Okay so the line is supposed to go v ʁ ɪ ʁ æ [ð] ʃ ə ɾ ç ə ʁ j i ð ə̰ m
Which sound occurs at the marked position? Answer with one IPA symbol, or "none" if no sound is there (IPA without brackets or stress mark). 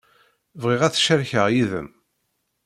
θ